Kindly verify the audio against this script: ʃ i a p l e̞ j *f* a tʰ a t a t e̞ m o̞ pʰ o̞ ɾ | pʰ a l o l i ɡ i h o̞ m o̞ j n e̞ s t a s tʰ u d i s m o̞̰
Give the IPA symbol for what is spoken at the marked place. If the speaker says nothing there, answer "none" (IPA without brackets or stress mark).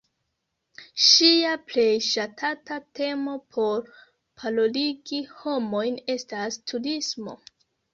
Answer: ʃ